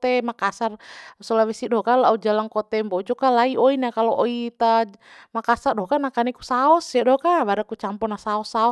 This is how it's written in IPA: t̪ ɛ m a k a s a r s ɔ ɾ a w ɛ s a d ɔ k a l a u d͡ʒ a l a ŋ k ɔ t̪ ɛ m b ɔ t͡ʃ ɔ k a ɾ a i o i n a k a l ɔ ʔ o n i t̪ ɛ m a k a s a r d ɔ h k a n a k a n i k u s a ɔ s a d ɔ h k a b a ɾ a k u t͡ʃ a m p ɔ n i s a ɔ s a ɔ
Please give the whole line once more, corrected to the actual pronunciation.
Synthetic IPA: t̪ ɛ m a k a s a r s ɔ l a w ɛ s i d ɔ k a l a u d͡ʒ a l a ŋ k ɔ t̪ ɛ m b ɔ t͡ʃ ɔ k a l a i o i n a k a l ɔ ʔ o i t̪ a m a k a s a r d ɔ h k a n a k a n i k u s a ɔ s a d ɔ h k a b a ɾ a k u t͡ʃ a m p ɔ n a s a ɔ s a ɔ